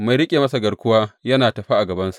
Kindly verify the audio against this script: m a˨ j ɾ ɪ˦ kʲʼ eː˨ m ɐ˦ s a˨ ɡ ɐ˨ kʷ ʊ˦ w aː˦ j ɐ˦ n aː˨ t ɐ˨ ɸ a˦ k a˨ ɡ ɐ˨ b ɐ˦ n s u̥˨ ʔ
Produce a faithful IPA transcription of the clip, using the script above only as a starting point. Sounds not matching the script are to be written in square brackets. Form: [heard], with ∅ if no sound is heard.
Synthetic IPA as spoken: m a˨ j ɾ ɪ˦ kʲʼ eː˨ m ɐ˦ s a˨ ɡ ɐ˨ kʷ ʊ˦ w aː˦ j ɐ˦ n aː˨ t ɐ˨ ɸ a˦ [ʔ] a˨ ɡ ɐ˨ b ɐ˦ n s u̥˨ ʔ

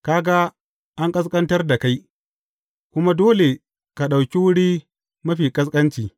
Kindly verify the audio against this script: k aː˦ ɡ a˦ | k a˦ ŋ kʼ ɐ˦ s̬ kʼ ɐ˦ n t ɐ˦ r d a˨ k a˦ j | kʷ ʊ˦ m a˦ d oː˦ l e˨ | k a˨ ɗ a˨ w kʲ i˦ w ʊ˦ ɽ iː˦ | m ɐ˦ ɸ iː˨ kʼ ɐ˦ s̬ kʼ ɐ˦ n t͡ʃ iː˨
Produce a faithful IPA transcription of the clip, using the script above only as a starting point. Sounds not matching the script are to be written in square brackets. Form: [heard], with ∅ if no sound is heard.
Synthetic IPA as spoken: k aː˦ ɡ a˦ | [ʔ] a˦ ŋ kʼ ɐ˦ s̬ kʼ ɐ˦ n t ɐ˦ r d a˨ k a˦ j | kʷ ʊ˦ m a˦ d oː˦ l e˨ | k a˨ ɗ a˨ w kʲ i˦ w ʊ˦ ɽ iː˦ | m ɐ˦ ɸ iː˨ kʼ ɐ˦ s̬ kʼ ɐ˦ n t͡ʃ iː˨

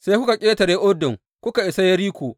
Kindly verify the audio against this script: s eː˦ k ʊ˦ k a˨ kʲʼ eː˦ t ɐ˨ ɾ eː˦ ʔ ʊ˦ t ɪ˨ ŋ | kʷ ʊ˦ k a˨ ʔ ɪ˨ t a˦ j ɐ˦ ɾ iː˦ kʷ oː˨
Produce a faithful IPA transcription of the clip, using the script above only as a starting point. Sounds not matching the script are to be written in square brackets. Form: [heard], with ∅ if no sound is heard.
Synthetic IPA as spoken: s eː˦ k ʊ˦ k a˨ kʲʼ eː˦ t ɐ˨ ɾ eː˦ ʔ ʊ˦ [d] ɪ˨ ŋ | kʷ ʊ˦ k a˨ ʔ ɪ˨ [s] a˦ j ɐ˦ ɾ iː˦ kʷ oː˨

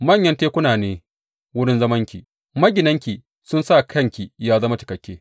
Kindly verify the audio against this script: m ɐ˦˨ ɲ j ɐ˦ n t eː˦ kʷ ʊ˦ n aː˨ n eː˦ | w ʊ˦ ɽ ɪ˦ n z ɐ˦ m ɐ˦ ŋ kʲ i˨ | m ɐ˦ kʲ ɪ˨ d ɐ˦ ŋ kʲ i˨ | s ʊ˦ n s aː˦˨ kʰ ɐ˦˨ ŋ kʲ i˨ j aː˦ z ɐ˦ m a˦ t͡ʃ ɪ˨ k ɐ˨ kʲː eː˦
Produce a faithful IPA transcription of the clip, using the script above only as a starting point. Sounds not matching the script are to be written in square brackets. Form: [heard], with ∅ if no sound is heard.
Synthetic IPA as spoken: m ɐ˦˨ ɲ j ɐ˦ n t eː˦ kʷ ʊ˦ n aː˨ n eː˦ | w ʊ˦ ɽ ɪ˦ n z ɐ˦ m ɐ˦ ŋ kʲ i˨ | m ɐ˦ [ɡʲ] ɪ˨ [n] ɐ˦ ŋ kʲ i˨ | s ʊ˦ n s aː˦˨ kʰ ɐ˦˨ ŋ kʲ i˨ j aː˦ z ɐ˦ m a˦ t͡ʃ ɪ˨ k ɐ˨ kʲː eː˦

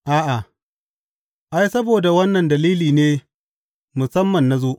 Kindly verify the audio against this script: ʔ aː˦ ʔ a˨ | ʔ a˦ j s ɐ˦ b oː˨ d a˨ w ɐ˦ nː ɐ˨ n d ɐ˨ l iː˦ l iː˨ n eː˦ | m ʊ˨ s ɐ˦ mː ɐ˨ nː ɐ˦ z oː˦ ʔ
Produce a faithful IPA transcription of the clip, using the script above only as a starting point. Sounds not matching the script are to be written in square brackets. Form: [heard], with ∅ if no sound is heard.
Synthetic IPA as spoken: ʔ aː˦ ʔ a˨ | ʔ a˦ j s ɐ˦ b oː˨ d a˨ w ɐ˦ nː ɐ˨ n d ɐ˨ l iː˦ l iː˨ n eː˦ | m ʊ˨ s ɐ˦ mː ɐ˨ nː [a˦] z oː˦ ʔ

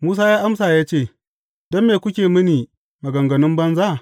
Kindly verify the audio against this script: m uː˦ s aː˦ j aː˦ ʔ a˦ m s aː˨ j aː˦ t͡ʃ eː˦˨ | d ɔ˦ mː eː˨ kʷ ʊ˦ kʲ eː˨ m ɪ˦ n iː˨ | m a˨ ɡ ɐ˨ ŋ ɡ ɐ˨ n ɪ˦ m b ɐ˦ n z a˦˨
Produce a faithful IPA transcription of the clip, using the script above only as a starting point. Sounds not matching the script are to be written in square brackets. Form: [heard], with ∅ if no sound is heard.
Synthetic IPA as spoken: m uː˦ s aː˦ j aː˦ ʔ a˦ m s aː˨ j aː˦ t͡ʃ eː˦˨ | d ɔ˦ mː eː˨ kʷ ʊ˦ kʲ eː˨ m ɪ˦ n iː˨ | m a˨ ɡ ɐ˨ ŋ ɡ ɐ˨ n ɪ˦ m b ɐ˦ n z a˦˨

